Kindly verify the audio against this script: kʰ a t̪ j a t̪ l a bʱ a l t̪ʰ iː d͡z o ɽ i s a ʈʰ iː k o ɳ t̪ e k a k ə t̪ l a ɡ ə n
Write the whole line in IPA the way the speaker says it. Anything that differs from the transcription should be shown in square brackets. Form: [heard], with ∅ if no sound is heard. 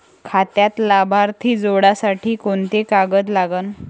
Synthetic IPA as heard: kʰ a t̪ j a t̪ l a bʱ a [ɾ] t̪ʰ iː d͡z o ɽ [a] s a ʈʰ iː k o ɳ t̪ e k a [ɡ] ə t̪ l a ɡ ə n